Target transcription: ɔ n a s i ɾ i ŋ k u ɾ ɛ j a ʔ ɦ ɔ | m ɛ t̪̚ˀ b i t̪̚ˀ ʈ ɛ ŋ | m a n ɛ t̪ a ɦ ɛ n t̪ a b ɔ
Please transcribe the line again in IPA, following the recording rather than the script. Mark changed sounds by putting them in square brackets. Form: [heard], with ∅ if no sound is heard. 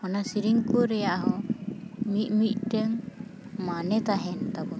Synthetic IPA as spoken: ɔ n a s i ɾ i ŋ k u ɾ ɛ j a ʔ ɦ ɔ | m [i] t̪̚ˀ [m] i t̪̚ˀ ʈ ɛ ŋ | m a n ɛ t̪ a ɦ ɛ n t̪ a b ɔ

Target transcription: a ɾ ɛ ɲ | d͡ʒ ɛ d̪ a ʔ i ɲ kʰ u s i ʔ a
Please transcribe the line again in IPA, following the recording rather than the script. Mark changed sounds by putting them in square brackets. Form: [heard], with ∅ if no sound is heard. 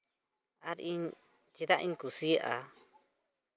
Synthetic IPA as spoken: a ɾ [i] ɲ | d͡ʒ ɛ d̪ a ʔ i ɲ [k] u s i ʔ a

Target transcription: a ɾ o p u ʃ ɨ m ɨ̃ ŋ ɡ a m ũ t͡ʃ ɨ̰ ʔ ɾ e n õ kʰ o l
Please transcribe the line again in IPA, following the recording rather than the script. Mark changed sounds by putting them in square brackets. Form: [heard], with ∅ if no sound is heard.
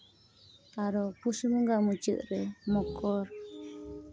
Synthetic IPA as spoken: a ɾ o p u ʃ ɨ m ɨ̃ ŋ ɡ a m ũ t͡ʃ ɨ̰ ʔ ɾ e [m] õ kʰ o [ɾ]

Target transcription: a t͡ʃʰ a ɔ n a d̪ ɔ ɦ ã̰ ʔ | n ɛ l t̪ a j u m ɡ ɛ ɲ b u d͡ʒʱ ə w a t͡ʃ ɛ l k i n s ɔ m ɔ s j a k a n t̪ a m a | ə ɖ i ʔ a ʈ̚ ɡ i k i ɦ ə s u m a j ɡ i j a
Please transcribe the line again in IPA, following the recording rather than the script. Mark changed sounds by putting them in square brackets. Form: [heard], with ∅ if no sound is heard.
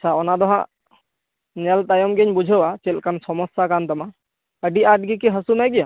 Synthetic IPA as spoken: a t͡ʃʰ a ɔ n a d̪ ɔ ɦ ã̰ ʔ | n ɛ l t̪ a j [ɔ] m ɡ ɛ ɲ b u d͡ʒʱ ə w a t͡ʃ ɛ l k [a] n s ɔ m ɔ s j a k a n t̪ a m a | ə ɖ i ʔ a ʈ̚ ɡ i k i ɦ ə s u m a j ɡ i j a

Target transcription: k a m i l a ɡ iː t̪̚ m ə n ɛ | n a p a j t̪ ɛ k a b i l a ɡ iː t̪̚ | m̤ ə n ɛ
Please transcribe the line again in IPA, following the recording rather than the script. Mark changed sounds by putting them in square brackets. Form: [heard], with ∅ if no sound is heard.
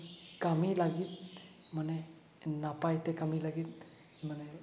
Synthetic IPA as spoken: k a m i l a ɡ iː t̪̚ m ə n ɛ | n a p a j t̪ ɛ k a [m] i l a ɡ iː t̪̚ | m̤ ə n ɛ

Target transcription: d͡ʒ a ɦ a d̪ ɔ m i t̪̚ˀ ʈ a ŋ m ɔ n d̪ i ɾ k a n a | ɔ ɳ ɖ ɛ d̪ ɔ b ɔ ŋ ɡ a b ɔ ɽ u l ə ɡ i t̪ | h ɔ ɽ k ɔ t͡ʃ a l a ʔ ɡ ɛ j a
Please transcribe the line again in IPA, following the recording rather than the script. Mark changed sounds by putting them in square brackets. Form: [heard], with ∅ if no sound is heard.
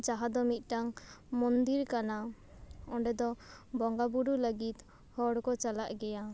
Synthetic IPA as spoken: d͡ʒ a ɦ a d̪ ɔ m i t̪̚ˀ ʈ a ŋ m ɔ n d̪ i ɾ k a n a | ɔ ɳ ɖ ɛ d̪ ɔ b ɔ ŋ ɡ a b [u] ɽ u l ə ɡ i t̪ | h ɔ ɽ k ɔ t͡ʃ a l a ʔ ɡ ɛ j a

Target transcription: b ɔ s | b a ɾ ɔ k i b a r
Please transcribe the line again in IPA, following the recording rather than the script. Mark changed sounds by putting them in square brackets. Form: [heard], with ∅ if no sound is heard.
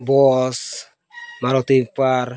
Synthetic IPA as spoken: b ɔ s | [m] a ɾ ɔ [t] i [p] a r

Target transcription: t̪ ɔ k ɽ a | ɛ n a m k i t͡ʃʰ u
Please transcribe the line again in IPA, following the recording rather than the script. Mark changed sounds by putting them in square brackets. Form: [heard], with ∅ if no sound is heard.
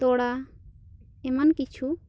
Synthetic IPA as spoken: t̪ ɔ [∅] ɽ a | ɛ [m] a [n] k i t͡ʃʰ u

